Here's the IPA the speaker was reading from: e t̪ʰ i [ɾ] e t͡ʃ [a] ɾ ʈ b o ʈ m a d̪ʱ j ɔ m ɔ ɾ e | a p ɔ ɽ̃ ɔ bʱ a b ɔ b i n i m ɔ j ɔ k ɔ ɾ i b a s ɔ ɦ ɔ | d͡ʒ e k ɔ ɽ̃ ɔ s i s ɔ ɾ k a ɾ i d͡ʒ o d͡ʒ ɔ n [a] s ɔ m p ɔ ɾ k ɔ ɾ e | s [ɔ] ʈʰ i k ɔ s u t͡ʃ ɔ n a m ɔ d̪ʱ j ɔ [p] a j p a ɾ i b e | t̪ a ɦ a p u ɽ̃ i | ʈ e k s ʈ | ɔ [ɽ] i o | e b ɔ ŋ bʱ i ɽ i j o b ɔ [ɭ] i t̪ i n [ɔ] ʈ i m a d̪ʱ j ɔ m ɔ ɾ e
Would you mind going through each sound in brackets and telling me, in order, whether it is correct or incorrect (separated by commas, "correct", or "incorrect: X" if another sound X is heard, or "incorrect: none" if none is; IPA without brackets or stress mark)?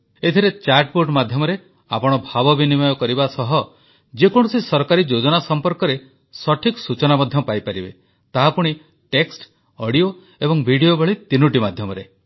correct, correct, correct, correct, correct, correct, correct, incorrect: u